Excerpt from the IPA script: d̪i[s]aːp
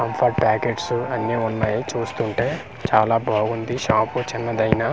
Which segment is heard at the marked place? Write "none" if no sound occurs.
ʃ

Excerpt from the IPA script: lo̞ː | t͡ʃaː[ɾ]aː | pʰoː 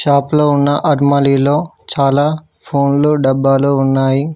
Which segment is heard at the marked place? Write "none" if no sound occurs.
l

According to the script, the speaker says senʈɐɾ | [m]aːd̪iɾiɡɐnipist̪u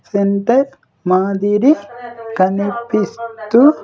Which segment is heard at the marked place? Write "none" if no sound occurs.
m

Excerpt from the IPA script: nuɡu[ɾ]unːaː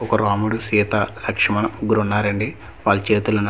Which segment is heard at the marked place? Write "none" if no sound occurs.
ɾ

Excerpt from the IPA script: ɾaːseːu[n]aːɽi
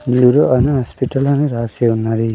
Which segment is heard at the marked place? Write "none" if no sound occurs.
nː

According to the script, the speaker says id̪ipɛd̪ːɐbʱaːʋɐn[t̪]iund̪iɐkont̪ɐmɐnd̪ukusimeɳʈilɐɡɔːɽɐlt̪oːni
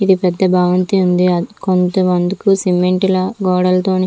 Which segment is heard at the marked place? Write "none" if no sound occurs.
t̪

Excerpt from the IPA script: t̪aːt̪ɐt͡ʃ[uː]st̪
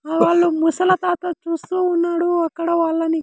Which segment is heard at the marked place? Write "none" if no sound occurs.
uː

